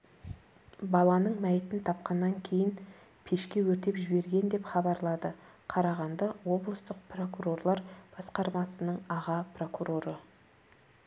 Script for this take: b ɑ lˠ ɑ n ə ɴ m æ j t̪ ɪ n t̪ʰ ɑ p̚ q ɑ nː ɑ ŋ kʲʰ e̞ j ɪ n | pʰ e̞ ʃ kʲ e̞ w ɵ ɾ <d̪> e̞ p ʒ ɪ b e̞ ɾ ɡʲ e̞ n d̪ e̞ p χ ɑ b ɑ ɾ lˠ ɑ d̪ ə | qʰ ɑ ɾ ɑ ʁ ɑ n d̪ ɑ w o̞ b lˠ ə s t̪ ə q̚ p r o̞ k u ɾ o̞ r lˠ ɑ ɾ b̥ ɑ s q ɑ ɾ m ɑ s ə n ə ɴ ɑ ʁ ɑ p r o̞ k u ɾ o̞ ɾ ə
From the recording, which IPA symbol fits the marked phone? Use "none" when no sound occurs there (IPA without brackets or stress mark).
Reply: t̪